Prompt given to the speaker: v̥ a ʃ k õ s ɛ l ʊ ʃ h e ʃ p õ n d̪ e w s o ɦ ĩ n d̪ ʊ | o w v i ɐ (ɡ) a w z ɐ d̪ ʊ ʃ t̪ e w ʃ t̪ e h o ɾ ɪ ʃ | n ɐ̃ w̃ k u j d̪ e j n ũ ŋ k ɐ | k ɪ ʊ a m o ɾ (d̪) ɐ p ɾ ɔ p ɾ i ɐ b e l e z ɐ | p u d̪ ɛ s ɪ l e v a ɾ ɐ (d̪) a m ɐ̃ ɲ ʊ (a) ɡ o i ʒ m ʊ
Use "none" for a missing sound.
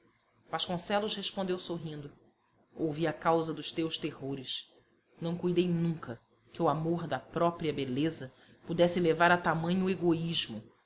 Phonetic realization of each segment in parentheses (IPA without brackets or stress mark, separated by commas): k, d̪, t̪, e